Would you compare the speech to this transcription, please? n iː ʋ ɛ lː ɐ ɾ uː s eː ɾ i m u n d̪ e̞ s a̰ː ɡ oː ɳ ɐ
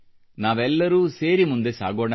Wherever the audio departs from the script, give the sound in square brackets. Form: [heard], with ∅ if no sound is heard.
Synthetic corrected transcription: n [aː] ʋ ɛ lː ɐ ɾ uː s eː ɾ i m u n d̪ e̞ s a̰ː ɡ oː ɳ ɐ